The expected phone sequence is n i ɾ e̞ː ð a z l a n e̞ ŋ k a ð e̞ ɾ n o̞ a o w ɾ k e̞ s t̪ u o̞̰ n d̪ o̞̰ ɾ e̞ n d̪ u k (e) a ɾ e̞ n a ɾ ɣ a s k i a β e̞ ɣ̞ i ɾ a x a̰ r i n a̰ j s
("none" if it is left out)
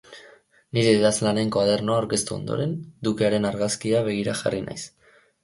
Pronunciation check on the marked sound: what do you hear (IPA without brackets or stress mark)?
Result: e